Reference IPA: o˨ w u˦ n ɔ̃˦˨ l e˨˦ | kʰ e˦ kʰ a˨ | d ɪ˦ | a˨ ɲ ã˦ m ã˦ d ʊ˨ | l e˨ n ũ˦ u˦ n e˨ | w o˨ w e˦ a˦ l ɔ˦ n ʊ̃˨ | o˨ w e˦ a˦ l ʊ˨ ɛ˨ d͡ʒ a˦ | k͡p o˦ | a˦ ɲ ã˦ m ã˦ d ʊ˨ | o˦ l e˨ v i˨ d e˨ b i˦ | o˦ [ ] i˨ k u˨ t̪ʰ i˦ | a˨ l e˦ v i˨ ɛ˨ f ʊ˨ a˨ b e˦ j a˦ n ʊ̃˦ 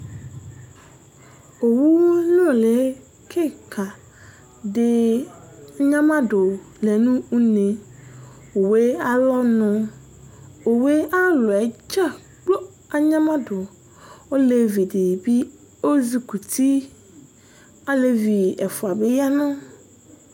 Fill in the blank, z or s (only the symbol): z